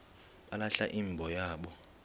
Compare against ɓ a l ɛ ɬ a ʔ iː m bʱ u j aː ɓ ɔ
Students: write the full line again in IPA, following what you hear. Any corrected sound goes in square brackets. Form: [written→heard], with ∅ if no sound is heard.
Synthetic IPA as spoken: ɓ a l [ɛ→a] ɬ a ʔ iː m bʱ [u→ɔ] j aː ɓ ɔ